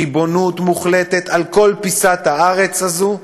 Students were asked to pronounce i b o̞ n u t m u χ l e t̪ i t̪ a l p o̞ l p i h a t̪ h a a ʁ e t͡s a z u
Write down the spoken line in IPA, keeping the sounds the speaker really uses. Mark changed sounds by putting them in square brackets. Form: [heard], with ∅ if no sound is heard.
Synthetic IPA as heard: i b o̞ n u t m u χ l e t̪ [e] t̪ a l [k] o̞ l p i [s] a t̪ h a a ʁ e t͡s a z u